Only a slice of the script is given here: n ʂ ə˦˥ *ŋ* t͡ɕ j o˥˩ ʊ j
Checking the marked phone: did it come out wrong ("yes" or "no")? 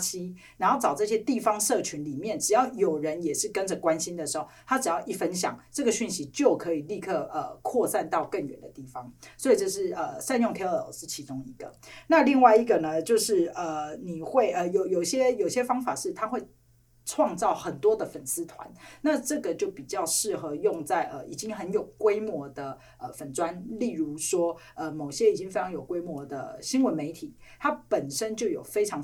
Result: yes